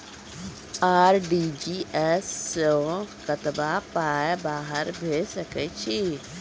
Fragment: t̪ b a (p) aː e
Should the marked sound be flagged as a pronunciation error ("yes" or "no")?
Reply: no